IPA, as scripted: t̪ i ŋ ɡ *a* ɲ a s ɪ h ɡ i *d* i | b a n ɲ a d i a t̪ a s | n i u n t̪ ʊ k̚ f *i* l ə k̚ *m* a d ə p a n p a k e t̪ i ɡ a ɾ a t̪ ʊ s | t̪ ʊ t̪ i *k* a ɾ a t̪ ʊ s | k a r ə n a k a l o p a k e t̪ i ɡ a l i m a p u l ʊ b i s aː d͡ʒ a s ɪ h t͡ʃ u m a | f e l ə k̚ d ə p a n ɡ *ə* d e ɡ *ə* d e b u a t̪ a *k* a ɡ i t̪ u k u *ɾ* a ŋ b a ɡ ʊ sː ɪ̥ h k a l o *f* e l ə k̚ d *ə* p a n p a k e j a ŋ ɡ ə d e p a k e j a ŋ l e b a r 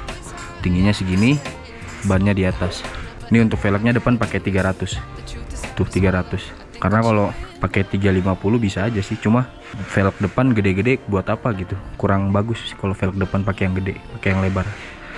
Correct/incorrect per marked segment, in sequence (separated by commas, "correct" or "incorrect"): incorrect, incorrect, incorrect, incorrect, incorrect, correct, correct, incorrect, correct, correct, correct